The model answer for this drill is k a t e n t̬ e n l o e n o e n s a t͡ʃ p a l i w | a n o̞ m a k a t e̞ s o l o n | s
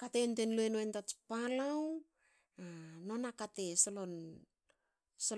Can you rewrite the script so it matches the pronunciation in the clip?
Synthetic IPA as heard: k a t e n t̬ e n l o e n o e n t a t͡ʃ p a l a w | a n o̞ n a k a t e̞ s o l o n | s